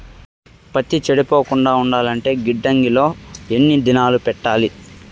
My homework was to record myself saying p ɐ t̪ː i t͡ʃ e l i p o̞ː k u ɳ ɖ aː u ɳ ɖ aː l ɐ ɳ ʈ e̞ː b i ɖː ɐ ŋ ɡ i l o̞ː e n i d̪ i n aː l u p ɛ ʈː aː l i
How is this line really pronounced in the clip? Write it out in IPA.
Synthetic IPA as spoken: p ɐ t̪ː i t͡ʃ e ɽ i p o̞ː k u ɳ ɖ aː u ɳ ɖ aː l ɐ ɳ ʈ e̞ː ɡ i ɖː ɐ ŋ ɡ i l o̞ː e nː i d̪ i n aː l u p ɛ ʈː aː l i